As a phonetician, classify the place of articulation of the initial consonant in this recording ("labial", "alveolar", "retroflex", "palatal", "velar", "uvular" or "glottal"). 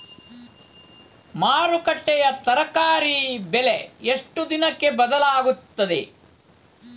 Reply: labial